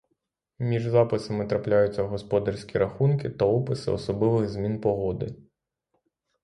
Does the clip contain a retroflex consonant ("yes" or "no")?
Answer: yes